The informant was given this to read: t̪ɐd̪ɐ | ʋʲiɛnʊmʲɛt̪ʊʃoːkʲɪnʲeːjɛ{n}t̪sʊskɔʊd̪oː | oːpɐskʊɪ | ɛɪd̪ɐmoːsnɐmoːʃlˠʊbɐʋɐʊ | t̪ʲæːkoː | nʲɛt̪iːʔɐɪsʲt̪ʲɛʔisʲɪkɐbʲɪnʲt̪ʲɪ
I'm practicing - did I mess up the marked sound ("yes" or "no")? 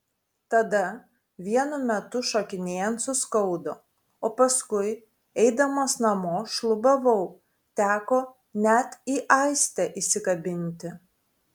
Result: no